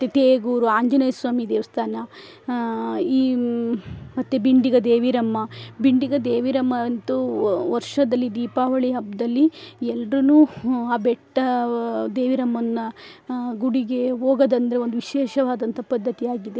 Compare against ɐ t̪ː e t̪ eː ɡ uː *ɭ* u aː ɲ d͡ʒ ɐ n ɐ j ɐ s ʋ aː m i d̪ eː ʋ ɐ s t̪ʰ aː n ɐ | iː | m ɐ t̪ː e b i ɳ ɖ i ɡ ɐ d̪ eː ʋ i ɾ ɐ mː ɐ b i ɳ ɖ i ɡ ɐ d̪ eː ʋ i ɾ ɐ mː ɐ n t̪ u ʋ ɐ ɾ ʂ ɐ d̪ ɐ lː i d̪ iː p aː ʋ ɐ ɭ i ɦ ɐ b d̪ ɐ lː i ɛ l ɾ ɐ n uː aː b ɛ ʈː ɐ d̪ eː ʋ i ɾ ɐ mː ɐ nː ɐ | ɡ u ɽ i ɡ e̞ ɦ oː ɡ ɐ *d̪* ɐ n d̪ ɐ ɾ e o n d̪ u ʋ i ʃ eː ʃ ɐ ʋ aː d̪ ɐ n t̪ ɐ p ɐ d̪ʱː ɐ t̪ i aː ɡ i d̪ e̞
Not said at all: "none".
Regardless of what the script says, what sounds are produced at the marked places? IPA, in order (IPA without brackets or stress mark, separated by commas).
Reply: ɾ, d̪